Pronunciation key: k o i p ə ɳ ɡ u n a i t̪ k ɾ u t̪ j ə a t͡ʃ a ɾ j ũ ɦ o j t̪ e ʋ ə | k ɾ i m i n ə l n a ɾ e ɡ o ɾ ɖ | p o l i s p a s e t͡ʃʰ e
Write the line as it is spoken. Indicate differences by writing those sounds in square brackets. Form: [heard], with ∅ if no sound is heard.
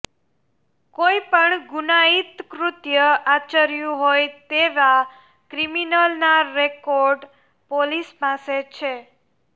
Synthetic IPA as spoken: k o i p ə ɳ ɡ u n a i t̪ k ɾ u t̪ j ə a t͡ʃ [ə] ɾ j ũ ɦ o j t̪ e ʋ [a] | k ɾ i m i n ə l n a ɾ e [k] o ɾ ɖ | p o l i s p a s e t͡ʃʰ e